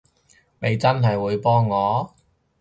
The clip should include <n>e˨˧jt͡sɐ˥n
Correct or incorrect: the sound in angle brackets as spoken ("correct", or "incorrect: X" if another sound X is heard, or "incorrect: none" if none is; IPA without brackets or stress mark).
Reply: incorrect: m